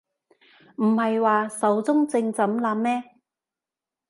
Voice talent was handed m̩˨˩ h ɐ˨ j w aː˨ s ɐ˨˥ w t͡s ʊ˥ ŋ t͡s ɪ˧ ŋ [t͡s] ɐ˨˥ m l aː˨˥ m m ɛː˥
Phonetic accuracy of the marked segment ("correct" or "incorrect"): correct